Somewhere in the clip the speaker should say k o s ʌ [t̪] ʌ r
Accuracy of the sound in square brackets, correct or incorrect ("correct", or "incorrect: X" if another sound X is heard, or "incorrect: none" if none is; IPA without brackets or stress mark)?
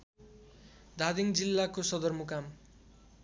incorrect: d̪